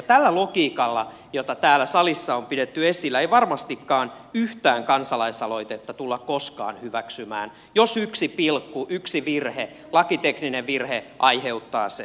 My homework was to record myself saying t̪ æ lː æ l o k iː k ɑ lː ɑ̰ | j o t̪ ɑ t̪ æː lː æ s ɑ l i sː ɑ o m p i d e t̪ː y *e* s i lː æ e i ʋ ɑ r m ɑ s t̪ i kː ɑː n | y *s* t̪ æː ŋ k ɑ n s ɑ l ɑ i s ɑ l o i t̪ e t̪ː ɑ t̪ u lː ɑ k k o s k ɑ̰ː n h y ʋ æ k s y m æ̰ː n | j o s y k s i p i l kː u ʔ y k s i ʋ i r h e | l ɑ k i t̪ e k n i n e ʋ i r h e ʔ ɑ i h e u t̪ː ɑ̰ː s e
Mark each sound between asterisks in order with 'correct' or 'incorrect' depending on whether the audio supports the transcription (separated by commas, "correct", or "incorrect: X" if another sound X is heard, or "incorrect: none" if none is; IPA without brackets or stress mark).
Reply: correct, incorrect: h